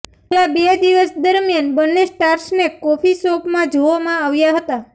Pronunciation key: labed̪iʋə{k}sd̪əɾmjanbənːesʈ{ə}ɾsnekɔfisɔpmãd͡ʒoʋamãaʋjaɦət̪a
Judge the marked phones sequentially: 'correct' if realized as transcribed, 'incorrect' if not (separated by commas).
incorrect, incorrect